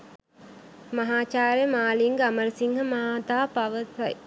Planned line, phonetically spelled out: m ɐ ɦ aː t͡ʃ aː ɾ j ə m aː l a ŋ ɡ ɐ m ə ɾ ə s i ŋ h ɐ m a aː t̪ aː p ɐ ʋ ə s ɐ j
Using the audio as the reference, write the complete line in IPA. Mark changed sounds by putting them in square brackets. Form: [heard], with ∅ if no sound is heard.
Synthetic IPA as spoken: m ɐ ɦ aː t͡ʃ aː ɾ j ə m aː l [i] ŋ ɡ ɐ m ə ɾ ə s i ŋ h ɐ m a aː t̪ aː p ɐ ʋ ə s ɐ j